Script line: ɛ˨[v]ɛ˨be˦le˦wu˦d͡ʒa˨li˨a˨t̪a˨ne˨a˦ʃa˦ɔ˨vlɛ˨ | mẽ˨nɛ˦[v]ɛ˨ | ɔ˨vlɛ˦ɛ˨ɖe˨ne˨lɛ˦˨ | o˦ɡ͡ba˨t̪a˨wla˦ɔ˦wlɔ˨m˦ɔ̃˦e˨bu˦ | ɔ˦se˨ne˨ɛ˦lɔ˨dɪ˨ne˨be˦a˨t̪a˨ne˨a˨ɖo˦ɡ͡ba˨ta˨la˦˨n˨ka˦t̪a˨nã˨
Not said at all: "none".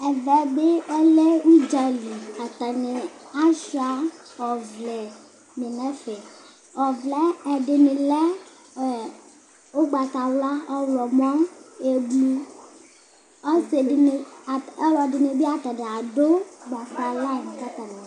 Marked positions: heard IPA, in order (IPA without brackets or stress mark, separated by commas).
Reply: v, f